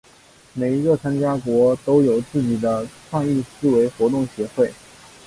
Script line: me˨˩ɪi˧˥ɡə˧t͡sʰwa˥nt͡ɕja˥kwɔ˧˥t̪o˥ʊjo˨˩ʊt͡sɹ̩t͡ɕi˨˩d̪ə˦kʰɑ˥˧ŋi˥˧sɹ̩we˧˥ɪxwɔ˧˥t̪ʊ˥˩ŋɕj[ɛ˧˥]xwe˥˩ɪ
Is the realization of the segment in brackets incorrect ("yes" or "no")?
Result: no